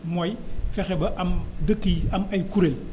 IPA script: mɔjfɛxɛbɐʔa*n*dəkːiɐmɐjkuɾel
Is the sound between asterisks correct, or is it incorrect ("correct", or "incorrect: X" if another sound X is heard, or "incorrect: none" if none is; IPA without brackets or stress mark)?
incorrect: m